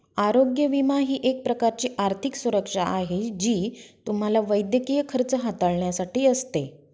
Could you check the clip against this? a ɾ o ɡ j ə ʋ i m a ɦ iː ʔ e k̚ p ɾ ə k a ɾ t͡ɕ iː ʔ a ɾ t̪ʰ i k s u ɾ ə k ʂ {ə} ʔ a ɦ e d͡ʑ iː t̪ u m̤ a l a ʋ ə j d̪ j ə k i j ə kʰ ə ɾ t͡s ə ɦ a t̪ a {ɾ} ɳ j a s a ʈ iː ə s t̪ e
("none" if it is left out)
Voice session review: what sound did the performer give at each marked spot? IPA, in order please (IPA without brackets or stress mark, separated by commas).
a, ɭ